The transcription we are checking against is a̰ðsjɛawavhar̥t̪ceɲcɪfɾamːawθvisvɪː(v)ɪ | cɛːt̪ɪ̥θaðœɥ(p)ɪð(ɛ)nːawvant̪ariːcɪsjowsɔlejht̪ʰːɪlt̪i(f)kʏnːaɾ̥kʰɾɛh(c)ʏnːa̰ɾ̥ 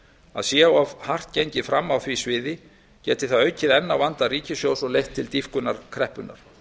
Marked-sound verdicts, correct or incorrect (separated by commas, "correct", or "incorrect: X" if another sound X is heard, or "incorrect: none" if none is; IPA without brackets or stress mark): incorrect: ð, incorrect: c, correct, correct, incorrect: p